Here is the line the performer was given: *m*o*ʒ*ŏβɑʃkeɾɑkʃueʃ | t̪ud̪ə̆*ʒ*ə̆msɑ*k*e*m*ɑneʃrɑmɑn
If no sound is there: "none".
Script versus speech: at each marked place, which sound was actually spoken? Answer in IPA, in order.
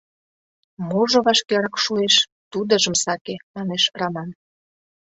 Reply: m, ʒ, ʒ, k, m

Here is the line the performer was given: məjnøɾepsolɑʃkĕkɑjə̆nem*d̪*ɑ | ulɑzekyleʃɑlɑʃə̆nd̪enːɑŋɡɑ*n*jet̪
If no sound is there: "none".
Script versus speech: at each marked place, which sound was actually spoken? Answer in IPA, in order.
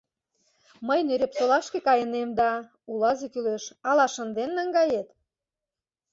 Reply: d̪, none

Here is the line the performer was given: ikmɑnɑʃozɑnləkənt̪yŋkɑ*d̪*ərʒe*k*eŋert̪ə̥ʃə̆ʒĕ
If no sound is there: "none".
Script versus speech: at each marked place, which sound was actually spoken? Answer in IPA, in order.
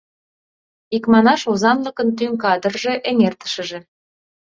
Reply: d̪, ʔ

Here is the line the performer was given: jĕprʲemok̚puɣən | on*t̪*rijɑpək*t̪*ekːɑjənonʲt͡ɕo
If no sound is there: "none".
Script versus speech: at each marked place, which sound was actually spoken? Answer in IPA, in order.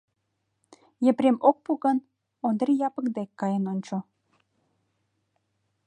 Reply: d̪, d̪

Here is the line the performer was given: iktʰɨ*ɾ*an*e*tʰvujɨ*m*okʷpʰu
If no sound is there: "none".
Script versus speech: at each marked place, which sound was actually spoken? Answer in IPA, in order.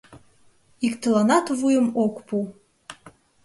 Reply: l, a, m

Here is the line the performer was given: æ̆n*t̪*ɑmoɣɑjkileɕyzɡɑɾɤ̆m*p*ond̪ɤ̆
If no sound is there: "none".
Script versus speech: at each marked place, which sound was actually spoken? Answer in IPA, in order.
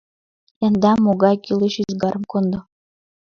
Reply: d̪, k

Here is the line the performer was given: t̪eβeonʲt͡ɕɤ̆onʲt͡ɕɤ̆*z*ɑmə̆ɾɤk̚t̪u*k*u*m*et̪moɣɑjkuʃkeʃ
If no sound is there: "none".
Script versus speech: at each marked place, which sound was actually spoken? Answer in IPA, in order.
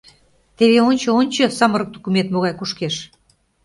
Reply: s, k, m

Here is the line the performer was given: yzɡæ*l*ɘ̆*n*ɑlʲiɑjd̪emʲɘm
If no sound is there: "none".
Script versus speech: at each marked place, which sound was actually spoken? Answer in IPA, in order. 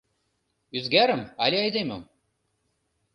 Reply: ɾ, m

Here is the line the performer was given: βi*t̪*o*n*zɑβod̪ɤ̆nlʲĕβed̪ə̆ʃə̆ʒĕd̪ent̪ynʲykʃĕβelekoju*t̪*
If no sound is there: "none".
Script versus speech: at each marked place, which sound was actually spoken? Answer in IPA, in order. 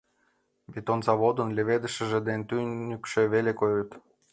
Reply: t̪, n, t̪

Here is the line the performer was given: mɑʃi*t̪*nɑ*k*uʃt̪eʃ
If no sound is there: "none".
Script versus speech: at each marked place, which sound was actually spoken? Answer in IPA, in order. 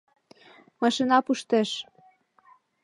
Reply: none, p

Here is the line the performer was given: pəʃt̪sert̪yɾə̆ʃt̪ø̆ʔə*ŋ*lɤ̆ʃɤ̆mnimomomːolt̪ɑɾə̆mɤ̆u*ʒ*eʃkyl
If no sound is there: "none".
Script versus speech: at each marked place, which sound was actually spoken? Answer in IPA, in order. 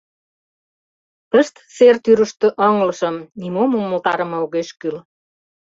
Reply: ŋ, ɣ

